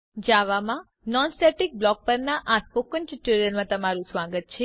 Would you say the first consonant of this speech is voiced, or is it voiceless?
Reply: voiced